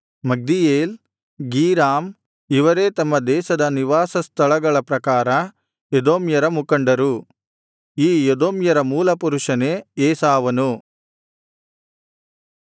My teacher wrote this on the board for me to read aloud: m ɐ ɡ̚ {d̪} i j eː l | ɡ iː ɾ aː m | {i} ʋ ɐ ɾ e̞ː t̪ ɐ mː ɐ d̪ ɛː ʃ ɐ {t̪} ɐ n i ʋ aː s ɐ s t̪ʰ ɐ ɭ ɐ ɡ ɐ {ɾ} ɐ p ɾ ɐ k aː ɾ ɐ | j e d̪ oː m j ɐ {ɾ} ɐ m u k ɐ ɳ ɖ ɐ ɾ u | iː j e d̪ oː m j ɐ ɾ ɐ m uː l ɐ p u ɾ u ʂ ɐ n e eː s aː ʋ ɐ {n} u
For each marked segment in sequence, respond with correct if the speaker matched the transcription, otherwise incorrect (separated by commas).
correct, correct, incorrect, incorrect, correct, correct